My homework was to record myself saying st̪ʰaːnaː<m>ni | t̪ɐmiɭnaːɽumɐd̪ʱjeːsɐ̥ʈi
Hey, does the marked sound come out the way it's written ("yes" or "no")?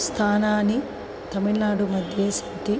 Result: no